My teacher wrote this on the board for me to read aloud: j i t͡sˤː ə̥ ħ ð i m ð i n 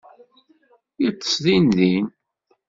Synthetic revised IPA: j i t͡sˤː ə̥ s ð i n ð i n